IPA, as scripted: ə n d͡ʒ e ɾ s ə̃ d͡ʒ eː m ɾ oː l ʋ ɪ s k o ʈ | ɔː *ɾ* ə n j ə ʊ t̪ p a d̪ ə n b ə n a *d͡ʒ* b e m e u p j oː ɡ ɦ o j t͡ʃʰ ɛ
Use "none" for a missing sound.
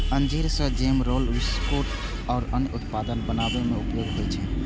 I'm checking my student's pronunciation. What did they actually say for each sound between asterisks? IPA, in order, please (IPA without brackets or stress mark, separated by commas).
ɾ, none